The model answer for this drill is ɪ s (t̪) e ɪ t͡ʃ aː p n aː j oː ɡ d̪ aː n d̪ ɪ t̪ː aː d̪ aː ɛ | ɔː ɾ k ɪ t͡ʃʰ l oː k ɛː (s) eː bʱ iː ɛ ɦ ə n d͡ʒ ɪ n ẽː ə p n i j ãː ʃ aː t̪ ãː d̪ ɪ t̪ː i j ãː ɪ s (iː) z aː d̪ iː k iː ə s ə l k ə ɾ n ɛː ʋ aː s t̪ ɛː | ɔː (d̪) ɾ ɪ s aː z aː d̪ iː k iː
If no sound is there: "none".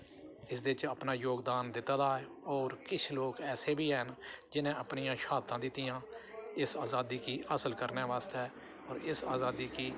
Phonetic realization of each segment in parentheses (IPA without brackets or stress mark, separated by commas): d̪, s, aː, none